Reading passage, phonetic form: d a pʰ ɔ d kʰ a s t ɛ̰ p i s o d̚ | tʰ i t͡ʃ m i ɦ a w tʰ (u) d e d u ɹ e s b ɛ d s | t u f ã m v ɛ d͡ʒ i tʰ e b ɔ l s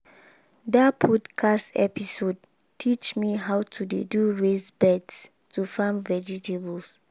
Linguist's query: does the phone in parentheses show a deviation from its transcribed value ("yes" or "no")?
no